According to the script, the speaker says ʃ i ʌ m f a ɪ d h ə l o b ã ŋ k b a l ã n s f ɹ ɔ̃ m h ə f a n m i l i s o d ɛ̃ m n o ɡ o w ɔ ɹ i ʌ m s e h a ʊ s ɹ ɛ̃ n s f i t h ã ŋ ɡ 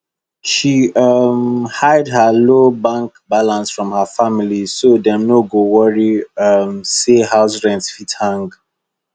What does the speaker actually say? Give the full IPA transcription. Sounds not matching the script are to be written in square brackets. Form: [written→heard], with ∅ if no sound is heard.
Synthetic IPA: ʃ i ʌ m [f→h] a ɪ d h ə l o b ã ŋ k b a l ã n s f ɹ ɔ̃ m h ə f a [n→∅] m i l i s o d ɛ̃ m n o ɡ o w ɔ ɹ i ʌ m s e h a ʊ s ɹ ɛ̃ n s f i t h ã ŋ ɡ

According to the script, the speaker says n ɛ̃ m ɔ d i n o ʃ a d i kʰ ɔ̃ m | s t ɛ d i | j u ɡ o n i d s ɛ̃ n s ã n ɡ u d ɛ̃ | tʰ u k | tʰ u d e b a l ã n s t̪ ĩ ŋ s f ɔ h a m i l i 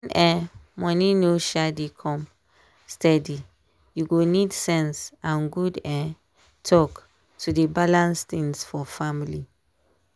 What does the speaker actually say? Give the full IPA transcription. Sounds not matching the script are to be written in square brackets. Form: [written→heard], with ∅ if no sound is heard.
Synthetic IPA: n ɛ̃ m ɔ [d→n] i n o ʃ a d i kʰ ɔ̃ m | s t ɛ d i | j u ɡ o n i d s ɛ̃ n s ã n ɡ u d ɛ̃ | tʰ [u→ɔ] k | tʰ u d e b a l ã n s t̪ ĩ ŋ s f ɔ [h→f] a m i l i

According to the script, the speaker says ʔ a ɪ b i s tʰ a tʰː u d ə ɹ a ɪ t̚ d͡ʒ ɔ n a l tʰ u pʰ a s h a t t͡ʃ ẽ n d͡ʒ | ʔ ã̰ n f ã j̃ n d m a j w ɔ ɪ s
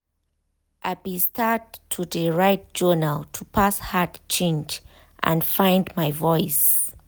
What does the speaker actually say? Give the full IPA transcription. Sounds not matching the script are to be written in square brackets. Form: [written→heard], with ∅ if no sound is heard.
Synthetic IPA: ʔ a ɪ b i s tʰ a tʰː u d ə ɹ a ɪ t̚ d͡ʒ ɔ n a l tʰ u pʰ a s h a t t͡ʃ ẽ n d͡ʒ | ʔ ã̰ n f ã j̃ n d m a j [w→v] ɔ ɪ s

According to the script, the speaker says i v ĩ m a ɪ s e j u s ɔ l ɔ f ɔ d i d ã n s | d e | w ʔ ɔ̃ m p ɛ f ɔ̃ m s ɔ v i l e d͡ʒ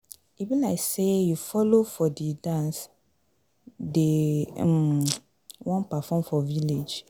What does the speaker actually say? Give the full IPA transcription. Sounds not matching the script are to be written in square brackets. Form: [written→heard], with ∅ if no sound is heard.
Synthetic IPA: i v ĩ [m→n] a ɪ s e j u [s→f] ɔ l [ɔ→o] f ɔ d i d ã n s | d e | w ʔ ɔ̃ [m→n] p [ɛ→a] f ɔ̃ m [s→f] ɔ v i l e d͡ʒ

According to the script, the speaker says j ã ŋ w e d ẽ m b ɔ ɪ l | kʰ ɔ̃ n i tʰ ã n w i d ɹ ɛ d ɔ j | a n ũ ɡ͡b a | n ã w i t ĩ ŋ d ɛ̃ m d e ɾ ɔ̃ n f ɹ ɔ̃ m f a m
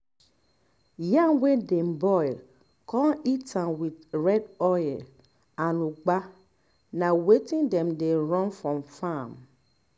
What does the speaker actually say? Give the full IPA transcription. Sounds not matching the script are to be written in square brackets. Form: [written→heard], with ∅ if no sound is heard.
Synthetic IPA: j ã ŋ w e d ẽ m b ɔ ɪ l | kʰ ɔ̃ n i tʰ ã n w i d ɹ ɛ d ɔ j | a n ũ ɡ͡b a | n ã w [i→e] t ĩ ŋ d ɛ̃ m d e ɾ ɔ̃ n f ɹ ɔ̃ m f a m

